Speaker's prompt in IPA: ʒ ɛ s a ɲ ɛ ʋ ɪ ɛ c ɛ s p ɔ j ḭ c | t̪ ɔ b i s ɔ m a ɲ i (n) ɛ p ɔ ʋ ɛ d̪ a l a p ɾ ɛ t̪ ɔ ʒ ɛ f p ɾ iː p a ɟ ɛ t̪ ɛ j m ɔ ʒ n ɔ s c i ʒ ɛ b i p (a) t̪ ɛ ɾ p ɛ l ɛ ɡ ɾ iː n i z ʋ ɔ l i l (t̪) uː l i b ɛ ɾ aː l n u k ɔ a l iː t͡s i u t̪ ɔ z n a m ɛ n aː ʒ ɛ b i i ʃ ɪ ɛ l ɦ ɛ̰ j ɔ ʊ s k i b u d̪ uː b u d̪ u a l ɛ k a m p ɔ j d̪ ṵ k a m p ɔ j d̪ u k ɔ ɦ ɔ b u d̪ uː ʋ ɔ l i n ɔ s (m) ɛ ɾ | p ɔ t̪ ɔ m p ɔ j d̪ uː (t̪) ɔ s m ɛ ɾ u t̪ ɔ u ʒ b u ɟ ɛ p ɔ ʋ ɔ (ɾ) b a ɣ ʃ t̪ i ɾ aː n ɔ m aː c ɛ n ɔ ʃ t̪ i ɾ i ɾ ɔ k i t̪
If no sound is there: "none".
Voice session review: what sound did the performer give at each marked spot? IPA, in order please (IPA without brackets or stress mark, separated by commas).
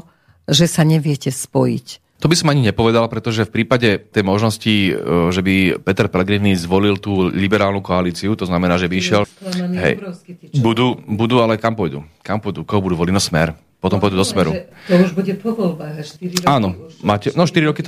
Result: ɲ, ɛ, t̪, m, d̪, l